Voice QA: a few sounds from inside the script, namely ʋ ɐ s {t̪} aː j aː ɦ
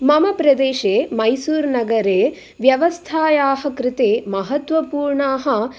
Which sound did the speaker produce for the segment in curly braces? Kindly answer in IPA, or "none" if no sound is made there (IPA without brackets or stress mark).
t̪ʰ